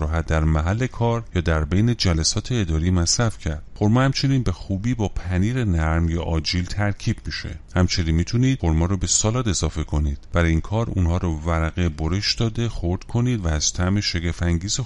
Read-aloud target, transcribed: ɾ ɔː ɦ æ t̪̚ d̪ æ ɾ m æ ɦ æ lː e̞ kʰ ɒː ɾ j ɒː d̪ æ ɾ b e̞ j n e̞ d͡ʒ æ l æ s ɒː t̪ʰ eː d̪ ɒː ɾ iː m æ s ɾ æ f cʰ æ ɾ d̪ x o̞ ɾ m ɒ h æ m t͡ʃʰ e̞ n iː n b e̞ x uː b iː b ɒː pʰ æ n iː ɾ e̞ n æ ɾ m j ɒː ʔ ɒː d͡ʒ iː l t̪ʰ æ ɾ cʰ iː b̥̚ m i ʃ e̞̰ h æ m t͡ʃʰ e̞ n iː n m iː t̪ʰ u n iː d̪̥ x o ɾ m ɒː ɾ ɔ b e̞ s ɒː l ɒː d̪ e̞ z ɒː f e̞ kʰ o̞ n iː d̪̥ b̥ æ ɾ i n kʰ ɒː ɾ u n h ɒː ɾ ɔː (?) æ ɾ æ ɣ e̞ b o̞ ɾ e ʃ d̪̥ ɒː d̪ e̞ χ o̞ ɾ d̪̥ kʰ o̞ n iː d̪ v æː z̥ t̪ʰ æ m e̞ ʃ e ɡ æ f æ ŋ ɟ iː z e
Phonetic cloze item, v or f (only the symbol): v